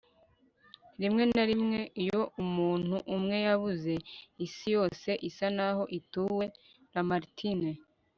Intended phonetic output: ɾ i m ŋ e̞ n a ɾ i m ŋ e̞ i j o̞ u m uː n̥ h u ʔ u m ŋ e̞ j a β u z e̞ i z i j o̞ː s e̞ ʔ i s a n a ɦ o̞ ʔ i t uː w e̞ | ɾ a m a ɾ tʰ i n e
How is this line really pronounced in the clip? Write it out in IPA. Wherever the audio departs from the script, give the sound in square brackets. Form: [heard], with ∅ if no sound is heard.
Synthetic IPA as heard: ɾ i m ŋ e̞ n a ɾ i m ŋ e̞ i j o̞ u m uː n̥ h u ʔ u m ŋ e̞ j a β u z e̞ i [s] i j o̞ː s e̞ ʔ i s a n a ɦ o̞ ʔ i t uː w e̞ | ɾ a m a ɾ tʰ i n e